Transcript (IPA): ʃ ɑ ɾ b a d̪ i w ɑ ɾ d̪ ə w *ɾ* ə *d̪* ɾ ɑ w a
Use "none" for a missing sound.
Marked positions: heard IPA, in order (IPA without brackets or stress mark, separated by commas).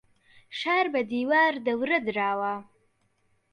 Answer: ɾ, d̪